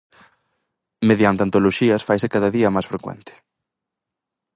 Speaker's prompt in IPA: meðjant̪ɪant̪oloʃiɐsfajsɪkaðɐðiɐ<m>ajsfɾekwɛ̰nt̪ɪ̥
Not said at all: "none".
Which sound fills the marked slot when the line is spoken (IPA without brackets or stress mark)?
m